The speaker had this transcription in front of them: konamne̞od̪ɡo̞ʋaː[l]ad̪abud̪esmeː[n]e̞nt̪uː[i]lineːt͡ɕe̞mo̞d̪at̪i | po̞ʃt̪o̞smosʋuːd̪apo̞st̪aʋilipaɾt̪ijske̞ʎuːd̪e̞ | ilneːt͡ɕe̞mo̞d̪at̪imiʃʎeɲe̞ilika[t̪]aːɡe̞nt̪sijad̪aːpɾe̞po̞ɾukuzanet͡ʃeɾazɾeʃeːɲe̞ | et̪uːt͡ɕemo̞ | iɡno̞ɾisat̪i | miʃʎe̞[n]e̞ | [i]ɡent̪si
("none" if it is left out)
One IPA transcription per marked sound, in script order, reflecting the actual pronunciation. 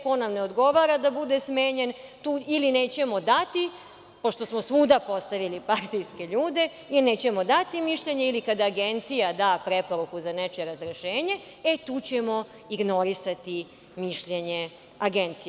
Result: ɾ, ɲ, i, d̪, ɲ, a

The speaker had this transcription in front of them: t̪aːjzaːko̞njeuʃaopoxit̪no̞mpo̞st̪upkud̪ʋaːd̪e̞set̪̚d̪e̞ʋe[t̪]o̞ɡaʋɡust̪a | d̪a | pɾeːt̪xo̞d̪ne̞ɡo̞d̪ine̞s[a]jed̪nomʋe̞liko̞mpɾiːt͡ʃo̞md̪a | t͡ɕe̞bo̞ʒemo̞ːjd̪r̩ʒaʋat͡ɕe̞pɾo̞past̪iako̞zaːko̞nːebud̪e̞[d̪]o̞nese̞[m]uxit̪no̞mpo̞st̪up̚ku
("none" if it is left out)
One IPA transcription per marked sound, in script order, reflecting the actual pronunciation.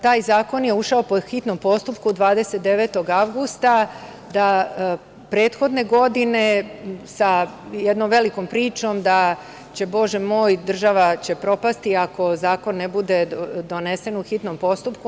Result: t̪, a, d̪, n

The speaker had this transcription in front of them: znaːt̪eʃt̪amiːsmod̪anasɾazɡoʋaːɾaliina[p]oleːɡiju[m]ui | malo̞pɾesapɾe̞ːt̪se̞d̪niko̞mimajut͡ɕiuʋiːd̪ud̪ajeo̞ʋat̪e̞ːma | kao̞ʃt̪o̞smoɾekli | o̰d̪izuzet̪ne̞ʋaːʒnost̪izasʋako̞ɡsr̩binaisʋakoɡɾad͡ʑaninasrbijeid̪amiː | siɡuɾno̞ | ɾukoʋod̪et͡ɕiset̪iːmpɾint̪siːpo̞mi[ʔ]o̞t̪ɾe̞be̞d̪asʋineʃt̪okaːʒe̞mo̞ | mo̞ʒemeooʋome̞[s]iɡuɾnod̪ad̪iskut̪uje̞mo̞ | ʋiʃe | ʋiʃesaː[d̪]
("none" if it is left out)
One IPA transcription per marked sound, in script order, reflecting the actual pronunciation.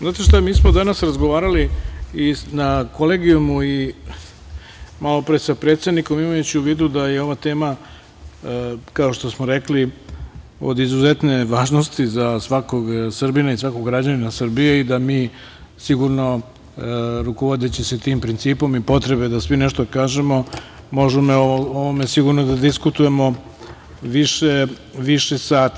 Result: k, m, p, s, t̪

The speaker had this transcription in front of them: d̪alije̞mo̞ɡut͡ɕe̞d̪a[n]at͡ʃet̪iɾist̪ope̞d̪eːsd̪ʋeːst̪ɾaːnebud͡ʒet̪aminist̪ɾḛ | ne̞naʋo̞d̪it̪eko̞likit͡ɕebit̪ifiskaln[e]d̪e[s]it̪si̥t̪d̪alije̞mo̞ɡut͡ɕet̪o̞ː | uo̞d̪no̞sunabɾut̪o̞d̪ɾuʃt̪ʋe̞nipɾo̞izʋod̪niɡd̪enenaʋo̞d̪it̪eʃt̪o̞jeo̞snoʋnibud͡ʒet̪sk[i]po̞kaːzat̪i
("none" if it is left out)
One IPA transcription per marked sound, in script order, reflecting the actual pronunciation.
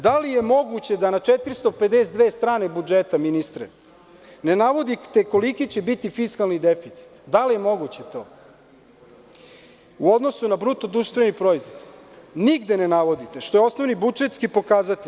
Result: n, i, f, i

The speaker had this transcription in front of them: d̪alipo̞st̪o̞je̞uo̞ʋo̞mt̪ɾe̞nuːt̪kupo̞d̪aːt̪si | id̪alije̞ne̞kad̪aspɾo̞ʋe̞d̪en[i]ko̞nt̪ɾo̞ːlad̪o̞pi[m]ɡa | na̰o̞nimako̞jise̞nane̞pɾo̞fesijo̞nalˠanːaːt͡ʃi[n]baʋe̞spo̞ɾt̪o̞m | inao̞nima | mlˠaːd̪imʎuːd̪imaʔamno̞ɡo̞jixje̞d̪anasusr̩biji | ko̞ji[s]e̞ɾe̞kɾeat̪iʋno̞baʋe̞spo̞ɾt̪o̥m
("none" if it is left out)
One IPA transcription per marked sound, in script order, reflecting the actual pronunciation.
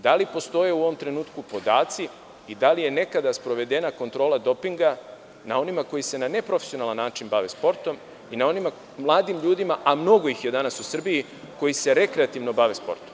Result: a, ŋ, n, s

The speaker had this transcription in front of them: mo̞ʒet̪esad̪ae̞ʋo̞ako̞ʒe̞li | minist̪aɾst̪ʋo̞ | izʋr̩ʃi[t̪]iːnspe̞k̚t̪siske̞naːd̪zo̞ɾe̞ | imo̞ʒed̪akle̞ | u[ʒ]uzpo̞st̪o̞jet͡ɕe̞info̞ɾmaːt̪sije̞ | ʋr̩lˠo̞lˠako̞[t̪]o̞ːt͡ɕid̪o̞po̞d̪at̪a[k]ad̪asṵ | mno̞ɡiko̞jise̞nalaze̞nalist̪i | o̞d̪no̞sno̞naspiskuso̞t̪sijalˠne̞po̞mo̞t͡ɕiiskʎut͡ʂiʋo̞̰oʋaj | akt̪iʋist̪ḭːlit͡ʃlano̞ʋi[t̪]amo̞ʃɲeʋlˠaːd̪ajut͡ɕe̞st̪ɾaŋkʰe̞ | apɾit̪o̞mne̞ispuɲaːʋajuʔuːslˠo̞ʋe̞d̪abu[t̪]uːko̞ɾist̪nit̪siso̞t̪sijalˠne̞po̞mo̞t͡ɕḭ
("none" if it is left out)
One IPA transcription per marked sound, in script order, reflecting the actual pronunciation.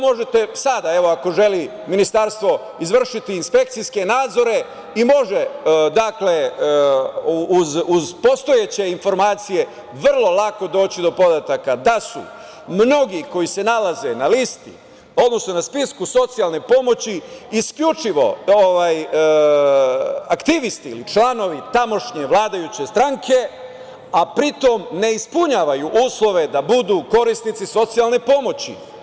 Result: t̪, z, d̪, k, t̪, d̪

